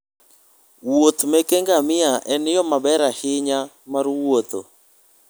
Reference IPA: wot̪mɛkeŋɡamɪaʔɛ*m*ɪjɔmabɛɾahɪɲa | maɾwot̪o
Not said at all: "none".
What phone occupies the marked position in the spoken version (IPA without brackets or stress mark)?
n